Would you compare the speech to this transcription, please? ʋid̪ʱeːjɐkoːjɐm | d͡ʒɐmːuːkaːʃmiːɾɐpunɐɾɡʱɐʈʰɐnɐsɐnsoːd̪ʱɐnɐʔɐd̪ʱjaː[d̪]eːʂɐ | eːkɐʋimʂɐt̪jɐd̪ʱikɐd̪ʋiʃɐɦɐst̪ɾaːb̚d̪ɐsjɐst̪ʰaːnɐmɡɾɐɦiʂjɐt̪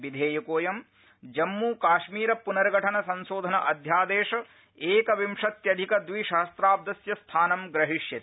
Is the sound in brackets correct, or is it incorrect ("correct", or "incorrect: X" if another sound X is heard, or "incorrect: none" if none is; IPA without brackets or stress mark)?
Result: correct